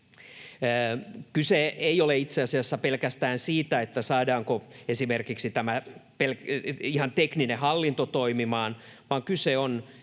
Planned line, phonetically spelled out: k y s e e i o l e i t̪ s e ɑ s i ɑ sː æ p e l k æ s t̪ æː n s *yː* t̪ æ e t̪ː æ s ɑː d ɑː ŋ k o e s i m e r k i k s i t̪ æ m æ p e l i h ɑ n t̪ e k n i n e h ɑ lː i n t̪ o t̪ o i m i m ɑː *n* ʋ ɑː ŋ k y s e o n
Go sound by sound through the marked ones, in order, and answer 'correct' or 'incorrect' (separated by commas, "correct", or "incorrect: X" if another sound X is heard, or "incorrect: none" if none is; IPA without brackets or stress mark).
incorrect: iː, correct